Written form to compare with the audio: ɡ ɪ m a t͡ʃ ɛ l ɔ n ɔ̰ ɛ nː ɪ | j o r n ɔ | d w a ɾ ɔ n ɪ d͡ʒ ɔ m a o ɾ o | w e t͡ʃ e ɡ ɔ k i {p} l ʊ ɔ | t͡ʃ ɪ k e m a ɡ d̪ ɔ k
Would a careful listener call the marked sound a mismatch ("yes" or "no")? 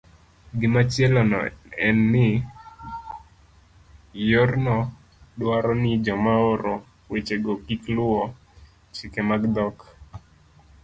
yes